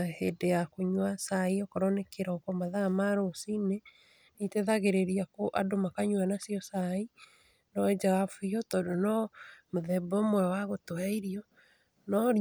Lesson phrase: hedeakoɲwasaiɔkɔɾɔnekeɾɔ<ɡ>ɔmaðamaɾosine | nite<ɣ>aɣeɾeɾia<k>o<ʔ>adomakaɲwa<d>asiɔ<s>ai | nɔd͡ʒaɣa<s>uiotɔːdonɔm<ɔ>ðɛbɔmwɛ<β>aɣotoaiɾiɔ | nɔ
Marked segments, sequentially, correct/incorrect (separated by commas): incorrect, incorrect, correct, correct, incorrect, correct, incorrect, incorrect, incorrect